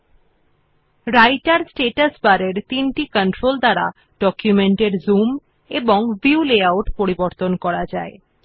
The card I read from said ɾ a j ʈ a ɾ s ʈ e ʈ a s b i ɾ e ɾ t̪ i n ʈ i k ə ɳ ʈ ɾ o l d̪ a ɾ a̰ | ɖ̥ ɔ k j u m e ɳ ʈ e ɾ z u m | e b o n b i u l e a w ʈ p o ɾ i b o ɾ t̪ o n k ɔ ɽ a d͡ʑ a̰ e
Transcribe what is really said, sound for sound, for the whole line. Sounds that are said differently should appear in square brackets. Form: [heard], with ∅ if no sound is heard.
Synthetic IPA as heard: ɾ a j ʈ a ɾ s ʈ e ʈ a s b [a] ɾ e ɾ t̪ i n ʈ i k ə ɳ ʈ ɾ o l d̪ a ɾ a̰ | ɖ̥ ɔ k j u m e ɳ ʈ e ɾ z u m | e b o [ŋ] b i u l e a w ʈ p o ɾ i b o ɾ t̪ o n k ɔ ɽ a d͡ʑ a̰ e

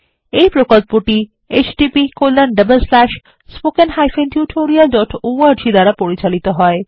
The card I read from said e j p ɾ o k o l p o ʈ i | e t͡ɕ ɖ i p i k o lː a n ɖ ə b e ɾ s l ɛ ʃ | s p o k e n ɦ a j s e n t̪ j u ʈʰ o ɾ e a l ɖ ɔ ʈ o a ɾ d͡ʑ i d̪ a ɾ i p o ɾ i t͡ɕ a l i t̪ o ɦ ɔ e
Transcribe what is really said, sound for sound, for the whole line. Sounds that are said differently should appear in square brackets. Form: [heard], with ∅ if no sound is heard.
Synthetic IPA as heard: e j p ɾ o k o l p o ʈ i | e t͡ɕ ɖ i p i k o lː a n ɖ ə b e [l] s l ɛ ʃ | s p o k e n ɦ a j [f] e n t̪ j u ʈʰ o ɾ [i] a l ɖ ɔ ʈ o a ɾ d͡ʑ i d̪ a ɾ [a] p o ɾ i t͡ɕ a l i t̪ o ɦ ɔ e

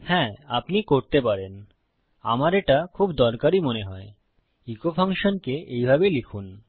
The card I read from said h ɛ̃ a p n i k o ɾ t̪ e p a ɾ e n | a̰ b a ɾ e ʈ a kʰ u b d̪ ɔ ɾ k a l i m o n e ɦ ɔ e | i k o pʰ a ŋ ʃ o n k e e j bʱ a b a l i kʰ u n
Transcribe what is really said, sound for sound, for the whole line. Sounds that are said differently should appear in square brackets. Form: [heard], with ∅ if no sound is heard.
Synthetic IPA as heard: h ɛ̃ a p n i k o ɾ t̪ e p a ɾ e n | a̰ [m] a ɾ e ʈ a kʰ u b d̪ ɔ ɾ k a [ɾ] i m o n e ɦ ɔ e | i k o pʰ a ŋ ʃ o n k e e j bʱ a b [e] l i kʰ u n

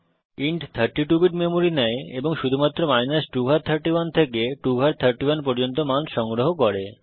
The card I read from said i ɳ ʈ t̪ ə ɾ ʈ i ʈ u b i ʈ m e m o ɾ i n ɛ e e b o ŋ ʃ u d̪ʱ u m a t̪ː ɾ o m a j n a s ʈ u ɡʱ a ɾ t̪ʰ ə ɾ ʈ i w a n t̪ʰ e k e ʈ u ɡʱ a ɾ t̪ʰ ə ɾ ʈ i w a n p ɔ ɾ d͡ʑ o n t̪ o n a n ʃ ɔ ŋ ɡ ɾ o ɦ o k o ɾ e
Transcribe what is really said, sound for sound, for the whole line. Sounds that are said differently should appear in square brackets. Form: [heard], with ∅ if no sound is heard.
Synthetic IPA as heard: i ɳ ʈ [t̪ʰ] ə ɾ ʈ i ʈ u b i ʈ m e m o ɾ i n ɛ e e b o ŋ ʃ u d̪ʱ u m a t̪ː ɾ o m a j n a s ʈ u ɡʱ a ɾ t̪ʰ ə ɾ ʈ i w a n t̪ʰ e k e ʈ u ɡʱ a ɾ t̪ʰ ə ɾ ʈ i w a n p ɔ ɾ d͡ʑ o n t̪ o [m] a n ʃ ɔ ŋ ɡ ɾ o ɦ o k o ɾ e

